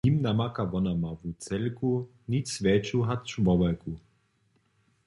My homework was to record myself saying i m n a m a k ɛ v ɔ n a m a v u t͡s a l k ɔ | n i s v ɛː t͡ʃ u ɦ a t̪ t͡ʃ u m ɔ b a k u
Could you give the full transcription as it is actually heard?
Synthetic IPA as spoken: i m n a m a k a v ɔ n a m a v u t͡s ɛ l k u | n i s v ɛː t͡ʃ u ɦ a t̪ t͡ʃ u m ɔ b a k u